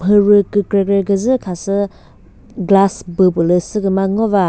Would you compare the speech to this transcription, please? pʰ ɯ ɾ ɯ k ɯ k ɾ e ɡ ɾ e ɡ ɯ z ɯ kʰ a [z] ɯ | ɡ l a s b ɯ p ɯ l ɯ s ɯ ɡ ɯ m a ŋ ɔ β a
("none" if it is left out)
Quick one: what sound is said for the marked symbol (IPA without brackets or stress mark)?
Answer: s